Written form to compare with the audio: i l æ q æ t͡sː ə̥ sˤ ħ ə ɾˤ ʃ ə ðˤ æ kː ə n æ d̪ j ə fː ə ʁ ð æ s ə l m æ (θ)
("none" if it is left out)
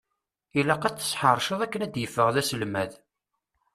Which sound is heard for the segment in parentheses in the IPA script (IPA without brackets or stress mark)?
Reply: ð